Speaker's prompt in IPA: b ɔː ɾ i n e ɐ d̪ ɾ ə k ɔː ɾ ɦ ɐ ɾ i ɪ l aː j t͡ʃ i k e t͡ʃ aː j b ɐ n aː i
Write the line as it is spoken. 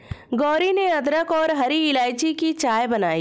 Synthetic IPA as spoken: ɡ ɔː ɾ i n e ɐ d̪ ɾ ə k ɔː ɾ ɦ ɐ ɾ i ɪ l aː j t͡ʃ i k i t͡ʃ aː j b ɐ n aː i